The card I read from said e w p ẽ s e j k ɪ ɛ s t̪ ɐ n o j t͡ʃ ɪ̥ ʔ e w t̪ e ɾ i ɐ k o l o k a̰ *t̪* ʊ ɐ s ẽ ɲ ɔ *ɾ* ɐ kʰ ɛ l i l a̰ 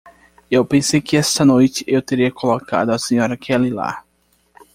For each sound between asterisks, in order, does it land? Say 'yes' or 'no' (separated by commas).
no, yes